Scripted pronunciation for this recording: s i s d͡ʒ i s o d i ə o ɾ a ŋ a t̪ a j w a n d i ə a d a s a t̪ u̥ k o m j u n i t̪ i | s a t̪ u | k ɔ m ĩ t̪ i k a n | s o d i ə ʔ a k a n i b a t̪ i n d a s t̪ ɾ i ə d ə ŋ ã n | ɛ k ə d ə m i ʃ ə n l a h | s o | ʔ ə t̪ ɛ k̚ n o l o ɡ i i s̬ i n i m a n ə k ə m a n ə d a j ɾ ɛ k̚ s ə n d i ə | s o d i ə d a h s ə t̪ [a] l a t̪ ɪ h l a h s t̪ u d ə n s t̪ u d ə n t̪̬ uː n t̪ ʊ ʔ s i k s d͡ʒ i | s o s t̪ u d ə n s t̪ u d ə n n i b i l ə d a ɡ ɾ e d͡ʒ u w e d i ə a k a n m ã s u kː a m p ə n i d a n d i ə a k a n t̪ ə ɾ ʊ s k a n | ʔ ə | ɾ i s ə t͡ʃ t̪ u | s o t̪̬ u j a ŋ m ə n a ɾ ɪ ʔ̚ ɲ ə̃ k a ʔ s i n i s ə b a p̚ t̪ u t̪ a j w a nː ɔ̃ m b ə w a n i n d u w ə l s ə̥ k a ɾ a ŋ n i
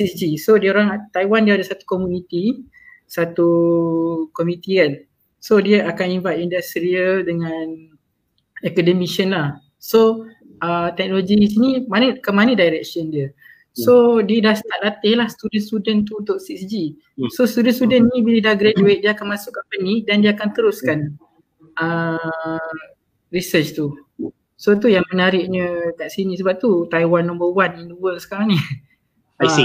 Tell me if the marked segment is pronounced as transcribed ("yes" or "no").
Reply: yes